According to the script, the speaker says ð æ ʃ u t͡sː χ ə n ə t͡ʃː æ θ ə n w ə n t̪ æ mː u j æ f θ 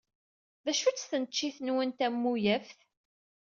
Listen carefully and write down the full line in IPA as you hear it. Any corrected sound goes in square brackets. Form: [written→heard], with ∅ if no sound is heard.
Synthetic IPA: ð æ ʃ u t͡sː [χ→θ] ə n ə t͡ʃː [æ→i] θ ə n w ə n t̪ æ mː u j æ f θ